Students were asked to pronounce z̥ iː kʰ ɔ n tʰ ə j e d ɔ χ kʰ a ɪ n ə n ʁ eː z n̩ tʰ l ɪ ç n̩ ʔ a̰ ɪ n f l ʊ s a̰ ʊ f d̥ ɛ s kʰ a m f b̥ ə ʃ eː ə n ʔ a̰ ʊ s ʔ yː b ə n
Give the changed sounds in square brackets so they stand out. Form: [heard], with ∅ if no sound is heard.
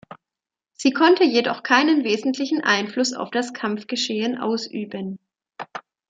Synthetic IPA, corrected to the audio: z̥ iː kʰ ɔ n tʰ ə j e d ɔ χ kʰ a ɪ n ə n [v] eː z n̩ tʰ l ɪ ç n̩ ʔ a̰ ɪ n f l ʊ s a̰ ʊ f d̥ [a] s kʰ a m f [ɡ̥] ə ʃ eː ə n ʔ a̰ ʊ s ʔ yː b ə n